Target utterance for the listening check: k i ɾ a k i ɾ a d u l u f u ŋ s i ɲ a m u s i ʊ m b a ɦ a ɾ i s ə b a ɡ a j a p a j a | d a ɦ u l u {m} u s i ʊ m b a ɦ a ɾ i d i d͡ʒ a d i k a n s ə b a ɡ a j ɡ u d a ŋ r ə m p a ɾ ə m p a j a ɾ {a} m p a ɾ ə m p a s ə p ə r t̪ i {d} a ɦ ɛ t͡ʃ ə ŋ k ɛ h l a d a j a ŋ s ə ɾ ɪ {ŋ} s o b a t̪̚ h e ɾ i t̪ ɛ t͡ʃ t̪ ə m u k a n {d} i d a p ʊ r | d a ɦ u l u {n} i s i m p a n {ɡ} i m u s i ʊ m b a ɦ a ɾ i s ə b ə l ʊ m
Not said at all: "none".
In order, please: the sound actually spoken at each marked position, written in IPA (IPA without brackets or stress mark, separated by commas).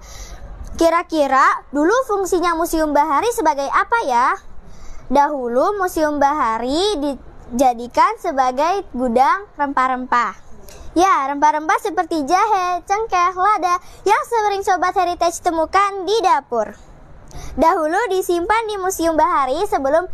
m, ə, d͡ʒ, ŋ, d, d, d